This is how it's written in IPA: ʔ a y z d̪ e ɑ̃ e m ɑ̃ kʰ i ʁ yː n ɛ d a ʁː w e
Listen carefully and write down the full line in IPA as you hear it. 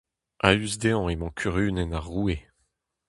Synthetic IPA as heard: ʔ a y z d̪ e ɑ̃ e m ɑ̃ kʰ y ʁ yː n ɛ n a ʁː u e